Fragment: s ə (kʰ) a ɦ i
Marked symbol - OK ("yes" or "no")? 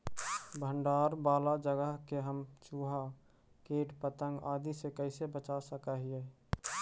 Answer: no